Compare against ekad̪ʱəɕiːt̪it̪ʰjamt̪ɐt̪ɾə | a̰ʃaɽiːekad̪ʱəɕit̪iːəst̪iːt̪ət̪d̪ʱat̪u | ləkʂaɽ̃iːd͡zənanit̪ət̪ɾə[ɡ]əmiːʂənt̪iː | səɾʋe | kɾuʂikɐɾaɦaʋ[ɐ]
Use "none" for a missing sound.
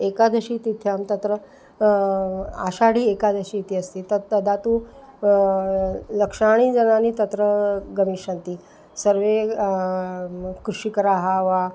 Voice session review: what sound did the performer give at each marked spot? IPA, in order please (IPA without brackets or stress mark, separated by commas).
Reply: ɡ, a